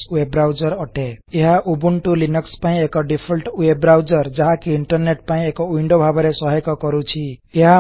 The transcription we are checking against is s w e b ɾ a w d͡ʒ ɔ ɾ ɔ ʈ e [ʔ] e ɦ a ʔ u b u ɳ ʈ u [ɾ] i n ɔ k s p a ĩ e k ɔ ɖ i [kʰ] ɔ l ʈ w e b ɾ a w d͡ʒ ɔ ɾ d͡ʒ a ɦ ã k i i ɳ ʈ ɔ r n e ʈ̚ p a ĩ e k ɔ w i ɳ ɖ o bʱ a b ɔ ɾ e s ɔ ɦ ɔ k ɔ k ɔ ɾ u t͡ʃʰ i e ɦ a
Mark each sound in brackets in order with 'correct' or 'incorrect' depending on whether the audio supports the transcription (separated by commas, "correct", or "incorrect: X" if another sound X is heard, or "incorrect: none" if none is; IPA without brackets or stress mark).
incorrect: none, incorrect: l, incorrect: pʰ